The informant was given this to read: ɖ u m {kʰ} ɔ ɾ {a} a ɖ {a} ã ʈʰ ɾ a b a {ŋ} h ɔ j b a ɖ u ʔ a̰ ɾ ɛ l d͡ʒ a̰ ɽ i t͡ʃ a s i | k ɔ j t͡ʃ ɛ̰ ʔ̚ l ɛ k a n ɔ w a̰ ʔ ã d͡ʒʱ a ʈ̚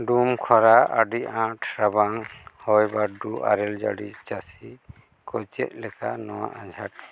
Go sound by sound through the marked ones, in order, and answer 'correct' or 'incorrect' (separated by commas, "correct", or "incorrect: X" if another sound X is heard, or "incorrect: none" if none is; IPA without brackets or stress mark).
correct, correct, incorrect: i, correct